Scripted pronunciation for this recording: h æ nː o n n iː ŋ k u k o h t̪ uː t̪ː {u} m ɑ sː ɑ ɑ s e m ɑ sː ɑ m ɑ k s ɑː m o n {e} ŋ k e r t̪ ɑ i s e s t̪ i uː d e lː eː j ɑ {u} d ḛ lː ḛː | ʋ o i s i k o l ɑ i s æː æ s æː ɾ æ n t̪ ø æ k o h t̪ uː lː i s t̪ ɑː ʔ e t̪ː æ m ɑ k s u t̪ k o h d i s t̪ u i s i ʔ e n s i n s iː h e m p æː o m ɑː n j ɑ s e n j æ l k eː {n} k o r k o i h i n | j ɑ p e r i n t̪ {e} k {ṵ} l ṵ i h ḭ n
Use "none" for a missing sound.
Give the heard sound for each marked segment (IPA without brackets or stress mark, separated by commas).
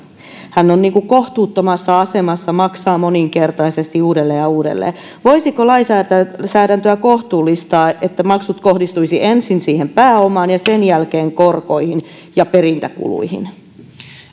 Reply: o, i, uː, ŋ, æ, ṵ